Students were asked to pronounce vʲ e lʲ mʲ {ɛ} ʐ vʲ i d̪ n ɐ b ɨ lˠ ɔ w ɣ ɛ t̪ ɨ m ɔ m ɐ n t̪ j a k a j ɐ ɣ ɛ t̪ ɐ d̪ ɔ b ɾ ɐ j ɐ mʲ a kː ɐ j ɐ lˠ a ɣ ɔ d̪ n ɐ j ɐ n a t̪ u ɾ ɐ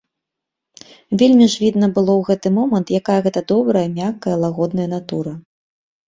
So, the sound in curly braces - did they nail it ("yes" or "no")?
no